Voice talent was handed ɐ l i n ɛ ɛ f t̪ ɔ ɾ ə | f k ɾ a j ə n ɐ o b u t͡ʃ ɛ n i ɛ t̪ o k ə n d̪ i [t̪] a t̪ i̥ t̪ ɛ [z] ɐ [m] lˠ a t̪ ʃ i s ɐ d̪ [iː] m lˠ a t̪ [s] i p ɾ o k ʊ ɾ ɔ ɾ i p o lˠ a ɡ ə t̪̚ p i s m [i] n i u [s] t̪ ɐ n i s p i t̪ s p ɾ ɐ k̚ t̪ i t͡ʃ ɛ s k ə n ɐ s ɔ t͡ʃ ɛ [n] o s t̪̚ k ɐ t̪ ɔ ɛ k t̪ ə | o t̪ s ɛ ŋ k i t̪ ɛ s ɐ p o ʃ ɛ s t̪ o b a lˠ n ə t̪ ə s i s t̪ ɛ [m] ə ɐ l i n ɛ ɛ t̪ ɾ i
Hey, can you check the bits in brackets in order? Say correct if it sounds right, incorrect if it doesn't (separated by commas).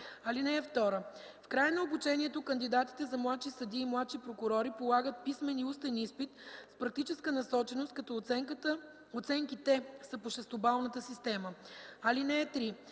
incorrect, correct, correct, correct, incorrect, incorrect, correct, correct, correct